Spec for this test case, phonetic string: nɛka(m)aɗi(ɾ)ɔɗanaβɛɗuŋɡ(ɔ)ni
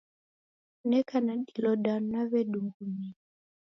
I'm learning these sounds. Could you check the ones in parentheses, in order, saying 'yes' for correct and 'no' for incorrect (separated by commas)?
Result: no, no, no